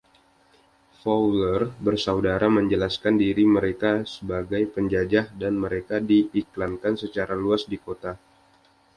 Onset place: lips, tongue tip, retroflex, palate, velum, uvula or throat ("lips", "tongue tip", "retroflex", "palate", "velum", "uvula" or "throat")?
lips